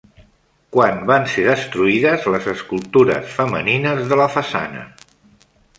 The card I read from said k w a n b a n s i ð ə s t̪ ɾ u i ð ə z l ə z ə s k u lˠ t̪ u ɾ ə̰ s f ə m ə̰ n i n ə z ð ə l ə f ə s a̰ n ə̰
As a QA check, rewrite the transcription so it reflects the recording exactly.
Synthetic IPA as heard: k w a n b a n s e ð ə s t̪ ɾ u i ð ə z l ə z ə s k u lˠ t̪ u ɾ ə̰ s f ə m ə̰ n i n ə z ð ə l ə f ə s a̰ n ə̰